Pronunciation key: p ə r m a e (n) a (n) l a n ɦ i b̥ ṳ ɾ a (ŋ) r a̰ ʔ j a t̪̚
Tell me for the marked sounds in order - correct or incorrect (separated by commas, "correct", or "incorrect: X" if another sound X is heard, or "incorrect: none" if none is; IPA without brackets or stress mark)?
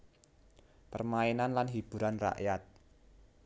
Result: correct, correct, incorrect: n